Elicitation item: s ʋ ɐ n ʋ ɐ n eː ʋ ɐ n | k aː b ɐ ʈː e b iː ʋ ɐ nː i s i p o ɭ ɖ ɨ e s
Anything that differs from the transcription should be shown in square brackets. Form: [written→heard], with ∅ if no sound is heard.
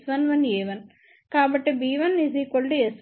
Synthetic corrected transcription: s ʋ ɐ n ʋ ɐ n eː ʋ ɐ n | k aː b ɐ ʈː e b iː ʋ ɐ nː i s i [p→k] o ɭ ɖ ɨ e s